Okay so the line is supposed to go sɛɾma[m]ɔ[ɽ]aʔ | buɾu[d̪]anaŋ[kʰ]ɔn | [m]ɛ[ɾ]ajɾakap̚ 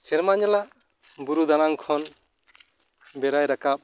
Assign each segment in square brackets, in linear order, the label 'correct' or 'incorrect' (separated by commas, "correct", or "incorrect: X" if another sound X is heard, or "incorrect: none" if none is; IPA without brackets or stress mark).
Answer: incorrect: ɲ, incorrect: l, correct, correct, incorrect: b, correct